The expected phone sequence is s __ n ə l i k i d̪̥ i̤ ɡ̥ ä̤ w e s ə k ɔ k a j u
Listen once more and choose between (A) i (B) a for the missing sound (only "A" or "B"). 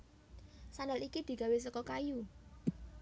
B